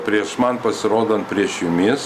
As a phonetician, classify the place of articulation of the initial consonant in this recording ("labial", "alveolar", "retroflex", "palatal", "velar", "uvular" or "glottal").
labial